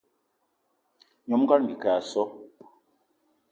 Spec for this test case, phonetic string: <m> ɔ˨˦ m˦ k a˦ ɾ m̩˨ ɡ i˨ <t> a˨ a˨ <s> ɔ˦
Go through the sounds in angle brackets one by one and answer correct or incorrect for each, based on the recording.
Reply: incorrect: ɲ, incorrect: k, correct

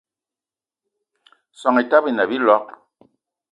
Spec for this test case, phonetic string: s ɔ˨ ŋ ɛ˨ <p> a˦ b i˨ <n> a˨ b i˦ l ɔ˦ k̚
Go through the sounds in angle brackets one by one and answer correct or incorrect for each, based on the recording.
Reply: incorrect: t, correct

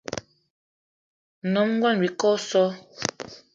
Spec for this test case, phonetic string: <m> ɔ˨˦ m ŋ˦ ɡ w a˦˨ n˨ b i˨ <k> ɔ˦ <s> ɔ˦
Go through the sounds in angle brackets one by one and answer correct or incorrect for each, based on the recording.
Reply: incorrect: n, correct, correct

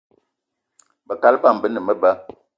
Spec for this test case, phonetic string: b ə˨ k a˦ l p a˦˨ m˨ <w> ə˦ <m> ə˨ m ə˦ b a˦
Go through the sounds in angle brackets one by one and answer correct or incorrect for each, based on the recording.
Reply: incorrect: b, incorrect: n

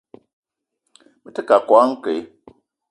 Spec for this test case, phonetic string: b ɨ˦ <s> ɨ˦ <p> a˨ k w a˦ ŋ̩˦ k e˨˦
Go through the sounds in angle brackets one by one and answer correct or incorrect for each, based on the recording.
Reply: incorrect: t, incorrect: k

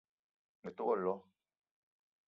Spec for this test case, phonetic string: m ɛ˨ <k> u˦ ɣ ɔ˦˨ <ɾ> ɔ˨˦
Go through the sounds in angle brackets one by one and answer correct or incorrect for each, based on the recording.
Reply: incorrect: t, incorrect: l

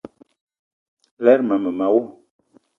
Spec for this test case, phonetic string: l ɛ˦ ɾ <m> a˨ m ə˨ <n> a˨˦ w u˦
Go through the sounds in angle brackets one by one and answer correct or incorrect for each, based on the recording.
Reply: correct, incorrect: m

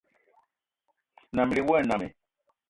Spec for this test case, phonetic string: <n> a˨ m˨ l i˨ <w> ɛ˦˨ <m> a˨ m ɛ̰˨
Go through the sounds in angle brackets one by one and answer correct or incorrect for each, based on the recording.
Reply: correct, correct, incorrect: n

